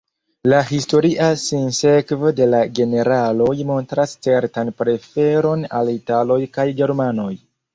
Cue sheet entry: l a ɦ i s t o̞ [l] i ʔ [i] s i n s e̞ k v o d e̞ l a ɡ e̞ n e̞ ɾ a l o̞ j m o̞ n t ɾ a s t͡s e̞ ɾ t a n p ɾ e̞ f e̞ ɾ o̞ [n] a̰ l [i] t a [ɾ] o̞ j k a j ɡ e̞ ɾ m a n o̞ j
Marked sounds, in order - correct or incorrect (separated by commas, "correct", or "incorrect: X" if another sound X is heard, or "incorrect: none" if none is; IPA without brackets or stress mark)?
incorrect: ɾ, incorrect: a, correct, correct, incorrect: l